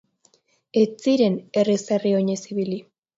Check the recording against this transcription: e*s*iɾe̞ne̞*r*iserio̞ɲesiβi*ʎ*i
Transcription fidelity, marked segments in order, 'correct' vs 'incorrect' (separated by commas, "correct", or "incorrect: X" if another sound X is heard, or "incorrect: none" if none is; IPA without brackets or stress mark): incorrect: t͡s, correct, incorrect: l